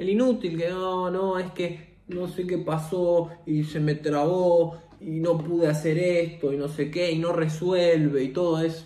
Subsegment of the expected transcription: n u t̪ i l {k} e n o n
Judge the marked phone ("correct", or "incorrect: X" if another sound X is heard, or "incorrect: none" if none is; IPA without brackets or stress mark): correct